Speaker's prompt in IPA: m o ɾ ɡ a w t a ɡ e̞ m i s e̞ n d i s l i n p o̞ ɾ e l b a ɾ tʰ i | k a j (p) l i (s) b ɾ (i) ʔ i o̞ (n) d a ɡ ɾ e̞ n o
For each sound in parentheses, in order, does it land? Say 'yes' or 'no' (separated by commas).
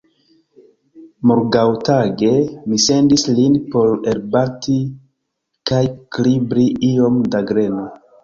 no, no, yes, no